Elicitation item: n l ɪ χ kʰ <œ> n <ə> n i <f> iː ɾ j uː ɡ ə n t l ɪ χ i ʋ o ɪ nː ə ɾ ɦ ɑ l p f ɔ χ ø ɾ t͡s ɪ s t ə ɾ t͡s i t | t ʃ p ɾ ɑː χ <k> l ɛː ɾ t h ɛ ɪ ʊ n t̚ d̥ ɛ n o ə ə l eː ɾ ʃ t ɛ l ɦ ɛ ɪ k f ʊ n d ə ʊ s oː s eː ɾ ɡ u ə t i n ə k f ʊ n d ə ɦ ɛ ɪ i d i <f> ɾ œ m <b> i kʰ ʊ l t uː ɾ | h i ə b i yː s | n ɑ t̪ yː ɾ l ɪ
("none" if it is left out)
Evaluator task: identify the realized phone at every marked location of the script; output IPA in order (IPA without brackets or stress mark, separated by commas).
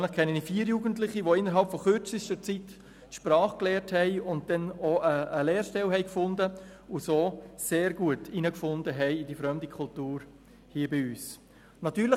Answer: ɛ, ə, f, k, f, d